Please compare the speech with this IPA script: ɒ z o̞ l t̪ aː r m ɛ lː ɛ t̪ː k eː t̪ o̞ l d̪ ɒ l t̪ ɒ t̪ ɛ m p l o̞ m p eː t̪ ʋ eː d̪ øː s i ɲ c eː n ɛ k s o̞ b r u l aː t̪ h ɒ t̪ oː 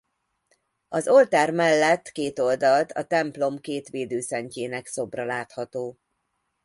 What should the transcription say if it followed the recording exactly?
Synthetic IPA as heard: ɒ z o̞ l t̪ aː r m ɛ lː ɛ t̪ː k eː t̪ o̞ l d̪ ɒ l t̪ ɒ t̪ ɛ m p l o̞ m k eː t̪ ʋ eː d̪ øː s ɛ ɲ c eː n ɛ k s o̞ b r ɒ l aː t̪ h ɒ t̪ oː